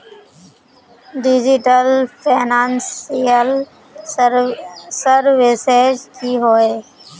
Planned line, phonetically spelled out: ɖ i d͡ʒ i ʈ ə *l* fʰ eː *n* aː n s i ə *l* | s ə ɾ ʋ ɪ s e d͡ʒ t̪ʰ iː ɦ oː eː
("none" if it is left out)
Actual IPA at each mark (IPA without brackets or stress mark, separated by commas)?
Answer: l, n, l